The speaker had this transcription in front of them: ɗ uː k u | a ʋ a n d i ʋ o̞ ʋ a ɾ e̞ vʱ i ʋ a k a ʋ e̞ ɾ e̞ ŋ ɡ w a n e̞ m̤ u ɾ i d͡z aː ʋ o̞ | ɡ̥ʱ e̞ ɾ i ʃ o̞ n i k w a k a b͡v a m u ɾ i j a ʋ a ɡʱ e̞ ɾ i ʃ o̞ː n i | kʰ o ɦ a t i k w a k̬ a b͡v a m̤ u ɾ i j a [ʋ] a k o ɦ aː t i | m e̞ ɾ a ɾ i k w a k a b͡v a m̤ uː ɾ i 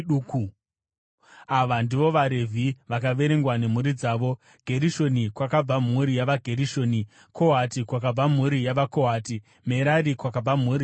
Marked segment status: correct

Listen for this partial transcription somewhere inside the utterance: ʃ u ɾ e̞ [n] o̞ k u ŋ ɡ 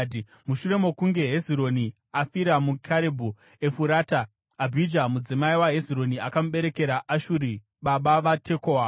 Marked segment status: incorrect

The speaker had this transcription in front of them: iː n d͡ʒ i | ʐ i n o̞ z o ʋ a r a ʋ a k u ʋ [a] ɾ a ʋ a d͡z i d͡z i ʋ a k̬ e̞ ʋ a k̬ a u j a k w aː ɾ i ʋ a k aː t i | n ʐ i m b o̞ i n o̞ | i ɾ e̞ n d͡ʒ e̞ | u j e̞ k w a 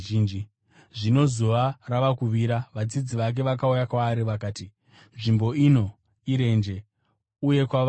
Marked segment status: incorrect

